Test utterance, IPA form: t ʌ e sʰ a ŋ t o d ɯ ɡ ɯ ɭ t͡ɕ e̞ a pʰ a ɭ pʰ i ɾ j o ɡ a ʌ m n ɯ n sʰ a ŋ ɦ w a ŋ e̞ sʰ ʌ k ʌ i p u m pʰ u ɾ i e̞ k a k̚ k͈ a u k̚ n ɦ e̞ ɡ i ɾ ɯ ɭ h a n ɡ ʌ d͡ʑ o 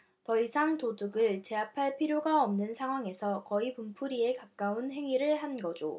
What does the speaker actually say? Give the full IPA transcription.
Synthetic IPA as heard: t ʌ i sʰ a ŋ t o d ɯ ɡ ɯ ɭ t͡ɕ e̞ a pʰ a ɭ pʰ i ɾ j o ɡ a ʌ m n ɯ n sʰ a ŋ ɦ w a ŋ e̞ sʰ ʌ k ʌ i p u m pʰ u ɾ i e̞ k a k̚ k͈ a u n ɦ e̞ ŋ i ɾ ɯ ɭ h a n ɡ ʌ d͡ʑ o